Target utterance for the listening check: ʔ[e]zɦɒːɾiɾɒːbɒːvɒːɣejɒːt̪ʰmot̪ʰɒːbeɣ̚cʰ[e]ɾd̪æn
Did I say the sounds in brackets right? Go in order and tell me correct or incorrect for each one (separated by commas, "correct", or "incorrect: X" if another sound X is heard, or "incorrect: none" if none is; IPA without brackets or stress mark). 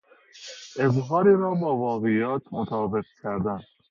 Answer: correct, incorrect: æ